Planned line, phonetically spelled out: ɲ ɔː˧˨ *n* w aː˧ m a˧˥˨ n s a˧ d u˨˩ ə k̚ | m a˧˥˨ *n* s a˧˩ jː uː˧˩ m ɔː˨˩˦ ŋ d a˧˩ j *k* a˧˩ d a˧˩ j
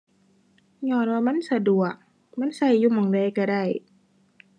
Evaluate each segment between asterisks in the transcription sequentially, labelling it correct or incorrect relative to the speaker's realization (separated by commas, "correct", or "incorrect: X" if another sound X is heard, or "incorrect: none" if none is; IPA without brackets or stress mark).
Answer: correct, correct, correct